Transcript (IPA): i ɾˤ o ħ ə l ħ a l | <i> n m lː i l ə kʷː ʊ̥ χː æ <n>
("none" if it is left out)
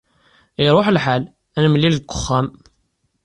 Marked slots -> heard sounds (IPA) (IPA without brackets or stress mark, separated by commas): æ, m